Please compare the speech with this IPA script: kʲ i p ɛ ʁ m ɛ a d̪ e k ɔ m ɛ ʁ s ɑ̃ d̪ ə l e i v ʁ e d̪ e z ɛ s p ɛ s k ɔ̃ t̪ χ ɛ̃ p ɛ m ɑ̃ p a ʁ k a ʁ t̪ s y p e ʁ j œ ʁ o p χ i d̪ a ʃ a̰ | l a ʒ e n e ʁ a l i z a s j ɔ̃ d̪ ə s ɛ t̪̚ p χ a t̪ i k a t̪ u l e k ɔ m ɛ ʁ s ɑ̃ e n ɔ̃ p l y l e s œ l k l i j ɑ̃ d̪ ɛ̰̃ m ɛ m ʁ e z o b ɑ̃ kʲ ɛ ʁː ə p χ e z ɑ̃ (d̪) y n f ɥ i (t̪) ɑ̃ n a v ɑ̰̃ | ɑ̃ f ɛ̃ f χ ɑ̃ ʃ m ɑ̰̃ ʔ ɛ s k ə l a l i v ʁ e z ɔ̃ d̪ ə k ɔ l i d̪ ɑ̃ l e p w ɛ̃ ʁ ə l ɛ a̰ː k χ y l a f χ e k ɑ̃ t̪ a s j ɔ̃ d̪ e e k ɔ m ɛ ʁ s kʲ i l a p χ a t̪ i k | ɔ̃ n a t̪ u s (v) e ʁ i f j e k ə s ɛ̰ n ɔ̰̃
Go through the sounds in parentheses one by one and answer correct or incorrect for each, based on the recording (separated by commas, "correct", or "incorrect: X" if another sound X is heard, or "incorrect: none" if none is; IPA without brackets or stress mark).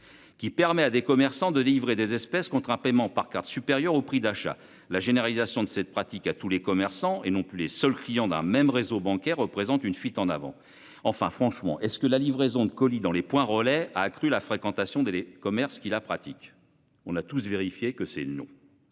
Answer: incorrect: t̪, correct, correct